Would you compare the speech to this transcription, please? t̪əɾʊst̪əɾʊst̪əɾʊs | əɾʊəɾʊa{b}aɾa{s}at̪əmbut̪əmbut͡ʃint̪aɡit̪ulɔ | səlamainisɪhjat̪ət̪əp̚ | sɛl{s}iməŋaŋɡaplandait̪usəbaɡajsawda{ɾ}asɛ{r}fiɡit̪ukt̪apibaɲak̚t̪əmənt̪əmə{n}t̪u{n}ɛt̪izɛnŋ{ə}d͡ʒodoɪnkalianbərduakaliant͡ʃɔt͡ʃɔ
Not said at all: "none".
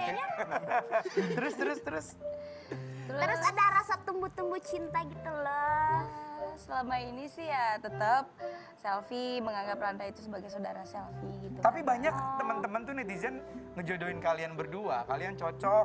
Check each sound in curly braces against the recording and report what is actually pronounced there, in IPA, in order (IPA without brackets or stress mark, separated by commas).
d, s, f, ɾ, l, n, n, ə